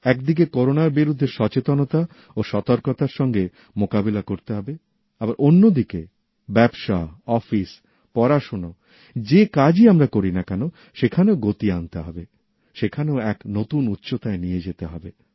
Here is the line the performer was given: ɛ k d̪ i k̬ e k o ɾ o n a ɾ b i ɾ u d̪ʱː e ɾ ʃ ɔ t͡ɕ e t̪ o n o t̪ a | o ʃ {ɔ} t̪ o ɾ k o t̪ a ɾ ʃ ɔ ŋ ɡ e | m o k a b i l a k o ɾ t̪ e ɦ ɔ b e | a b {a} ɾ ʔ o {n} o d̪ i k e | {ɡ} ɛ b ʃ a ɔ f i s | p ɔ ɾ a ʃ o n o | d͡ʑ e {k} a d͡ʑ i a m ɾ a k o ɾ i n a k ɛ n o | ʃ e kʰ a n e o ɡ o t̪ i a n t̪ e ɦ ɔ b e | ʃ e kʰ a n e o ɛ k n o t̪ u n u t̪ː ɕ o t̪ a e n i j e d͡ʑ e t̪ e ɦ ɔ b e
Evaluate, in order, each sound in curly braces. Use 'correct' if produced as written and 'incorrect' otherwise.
correct, correct, incorrect, incorrect, correct

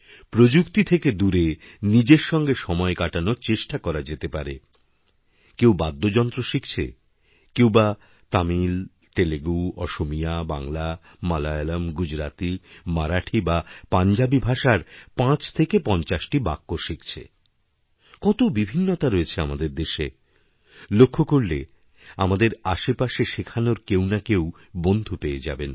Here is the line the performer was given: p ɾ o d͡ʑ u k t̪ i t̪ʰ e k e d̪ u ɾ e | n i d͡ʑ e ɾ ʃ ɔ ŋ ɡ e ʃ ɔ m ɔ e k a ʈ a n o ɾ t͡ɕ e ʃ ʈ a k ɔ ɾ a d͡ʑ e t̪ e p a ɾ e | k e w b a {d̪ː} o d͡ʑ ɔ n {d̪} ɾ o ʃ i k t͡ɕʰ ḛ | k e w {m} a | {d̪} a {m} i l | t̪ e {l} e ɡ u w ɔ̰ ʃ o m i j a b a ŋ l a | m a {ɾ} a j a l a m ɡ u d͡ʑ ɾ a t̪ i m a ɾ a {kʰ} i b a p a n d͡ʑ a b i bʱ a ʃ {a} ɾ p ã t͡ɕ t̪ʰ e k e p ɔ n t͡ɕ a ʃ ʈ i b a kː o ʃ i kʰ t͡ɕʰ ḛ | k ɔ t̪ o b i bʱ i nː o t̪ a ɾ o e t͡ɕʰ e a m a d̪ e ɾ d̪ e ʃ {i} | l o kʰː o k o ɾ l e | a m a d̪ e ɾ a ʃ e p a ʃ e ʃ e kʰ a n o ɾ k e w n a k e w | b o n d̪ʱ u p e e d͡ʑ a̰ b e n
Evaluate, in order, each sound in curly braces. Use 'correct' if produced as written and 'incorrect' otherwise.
correct, incorrect, incorrect, incorrect, correct, correct, incorrect, incorrect, correct, incorrect

